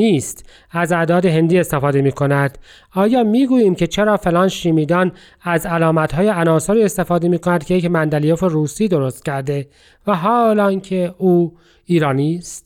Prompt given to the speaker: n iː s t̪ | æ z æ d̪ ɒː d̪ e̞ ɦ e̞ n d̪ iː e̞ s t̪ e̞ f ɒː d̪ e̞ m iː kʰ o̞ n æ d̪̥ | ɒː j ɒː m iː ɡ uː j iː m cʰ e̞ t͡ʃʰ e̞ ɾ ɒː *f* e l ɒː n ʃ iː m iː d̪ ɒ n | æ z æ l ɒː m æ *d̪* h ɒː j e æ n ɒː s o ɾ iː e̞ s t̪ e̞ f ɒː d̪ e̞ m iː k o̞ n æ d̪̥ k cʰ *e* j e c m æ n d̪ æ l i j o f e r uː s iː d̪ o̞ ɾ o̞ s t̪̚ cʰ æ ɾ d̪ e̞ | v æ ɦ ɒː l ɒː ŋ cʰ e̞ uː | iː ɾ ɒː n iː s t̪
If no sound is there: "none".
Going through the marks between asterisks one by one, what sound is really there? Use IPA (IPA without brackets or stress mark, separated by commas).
f, t̪, e